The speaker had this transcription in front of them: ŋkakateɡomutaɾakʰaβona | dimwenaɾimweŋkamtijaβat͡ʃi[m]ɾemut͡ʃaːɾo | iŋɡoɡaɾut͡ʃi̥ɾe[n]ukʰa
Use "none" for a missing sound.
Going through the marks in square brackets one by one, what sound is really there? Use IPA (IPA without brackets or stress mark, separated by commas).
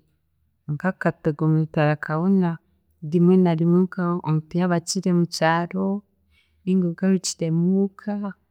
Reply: none, m